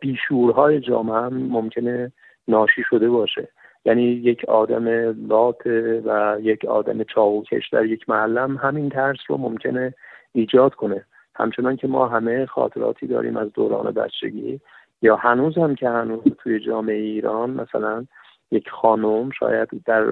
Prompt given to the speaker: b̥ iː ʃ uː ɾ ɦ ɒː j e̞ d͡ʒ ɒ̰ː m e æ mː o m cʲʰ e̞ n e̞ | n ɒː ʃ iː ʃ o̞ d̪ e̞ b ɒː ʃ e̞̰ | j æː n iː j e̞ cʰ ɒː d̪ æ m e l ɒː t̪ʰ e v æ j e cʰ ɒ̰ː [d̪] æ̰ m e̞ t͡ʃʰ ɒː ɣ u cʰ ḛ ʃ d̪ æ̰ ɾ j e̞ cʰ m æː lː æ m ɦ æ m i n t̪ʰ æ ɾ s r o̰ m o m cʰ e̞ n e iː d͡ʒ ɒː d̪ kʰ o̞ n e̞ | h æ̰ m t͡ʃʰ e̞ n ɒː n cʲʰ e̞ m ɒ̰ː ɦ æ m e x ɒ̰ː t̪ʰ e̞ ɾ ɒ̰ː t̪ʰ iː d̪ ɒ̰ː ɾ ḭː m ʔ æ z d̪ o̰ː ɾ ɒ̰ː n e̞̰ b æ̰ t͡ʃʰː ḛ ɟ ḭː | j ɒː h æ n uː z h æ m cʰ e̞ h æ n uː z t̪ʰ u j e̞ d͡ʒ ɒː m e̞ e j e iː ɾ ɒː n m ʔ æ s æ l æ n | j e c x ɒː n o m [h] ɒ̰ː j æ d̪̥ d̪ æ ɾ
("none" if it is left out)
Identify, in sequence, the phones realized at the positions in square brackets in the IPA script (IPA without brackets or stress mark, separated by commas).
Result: d̪, ʃ